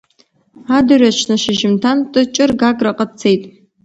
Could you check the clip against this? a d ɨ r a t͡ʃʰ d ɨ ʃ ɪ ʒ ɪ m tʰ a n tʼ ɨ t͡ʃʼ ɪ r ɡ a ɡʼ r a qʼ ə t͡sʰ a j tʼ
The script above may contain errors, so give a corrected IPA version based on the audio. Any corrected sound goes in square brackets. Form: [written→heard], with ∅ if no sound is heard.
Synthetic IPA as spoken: a d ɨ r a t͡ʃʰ [d→n] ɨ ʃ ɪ ʒ ɪ m tʰ a n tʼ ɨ t͡ʃʼ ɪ r ɡ a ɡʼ r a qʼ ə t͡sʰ [a→e] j tʼ